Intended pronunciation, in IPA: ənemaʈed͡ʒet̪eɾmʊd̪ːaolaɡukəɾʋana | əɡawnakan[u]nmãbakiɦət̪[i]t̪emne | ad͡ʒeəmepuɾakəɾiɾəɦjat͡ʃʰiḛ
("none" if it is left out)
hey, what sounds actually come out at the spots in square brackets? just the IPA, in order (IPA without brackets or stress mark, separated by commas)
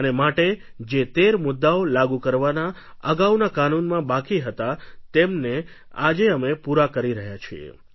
u, a